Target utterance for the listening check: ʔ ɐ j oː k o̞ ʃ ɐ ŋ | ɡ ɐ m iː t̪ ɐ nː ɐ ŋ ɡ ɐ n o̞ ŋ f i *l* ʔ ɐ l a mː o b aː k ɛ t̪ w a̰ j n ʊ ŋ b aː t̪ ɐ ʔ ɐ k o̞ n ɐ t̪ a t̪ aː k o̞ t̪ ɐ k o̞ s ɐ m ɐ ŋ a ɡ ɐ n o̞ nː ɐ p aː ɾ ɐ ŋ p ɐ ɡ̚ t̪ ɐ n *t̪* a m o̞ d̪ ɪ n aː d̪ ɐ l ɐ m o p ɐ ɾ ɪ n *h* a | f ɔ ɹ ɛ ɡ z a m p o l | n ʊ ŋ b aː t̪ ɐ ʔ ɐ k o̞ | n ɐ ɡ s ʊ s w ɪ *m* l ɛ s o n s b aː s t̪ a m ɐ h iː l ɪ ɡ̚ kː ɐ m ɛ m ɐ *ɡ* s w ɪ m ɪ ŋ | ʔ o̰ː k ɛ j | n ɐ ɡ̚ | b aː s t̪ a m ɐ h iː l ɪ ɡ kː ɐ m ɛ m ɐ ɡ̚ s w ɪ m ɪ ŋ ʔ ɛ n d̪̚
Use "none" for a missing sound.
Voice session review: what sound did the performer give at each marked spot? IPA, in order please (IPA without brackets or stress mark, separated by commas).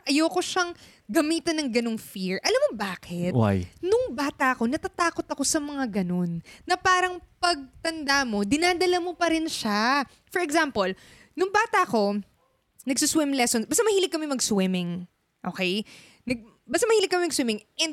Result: ɹ, d̪, ʃ, m, ɡ